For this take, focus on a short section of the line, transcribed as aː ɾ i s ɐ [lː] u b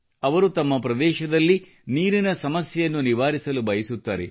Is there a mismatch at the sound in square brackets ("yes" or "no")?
yes